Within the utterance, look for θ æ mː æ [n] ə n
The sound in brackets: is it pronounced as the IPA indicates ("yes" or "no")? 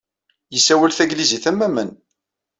no